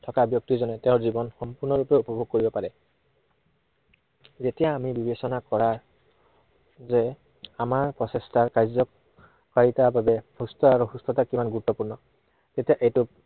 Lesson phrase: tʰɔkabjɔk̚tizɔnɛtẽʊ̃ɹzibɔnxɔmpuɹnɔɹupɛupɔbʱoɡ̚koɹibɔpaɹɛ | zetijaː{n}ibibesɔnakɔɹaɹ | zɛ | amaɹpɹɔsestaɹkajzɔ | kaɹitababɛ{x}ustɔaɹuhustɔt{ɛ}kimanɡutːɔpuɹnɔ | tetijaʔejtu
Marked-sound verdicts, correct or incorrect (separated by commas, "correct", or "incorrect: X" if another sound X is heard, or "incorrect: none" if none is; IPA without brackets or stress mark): incorrect: m, incorrect: h, incorrect: a